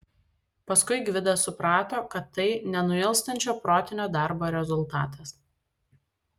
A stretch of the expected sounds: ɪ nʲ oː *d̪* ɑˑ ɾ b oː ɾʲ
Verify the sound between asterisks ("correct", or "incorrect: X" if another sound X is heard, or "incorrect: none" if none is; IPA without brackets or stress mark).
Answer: correct